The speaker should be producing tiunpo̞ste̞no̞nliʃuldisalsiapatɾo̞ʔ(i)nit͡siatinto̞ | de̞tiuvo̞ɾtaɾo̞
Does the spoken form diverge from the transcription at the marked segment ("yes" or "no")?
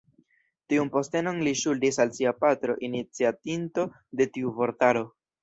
no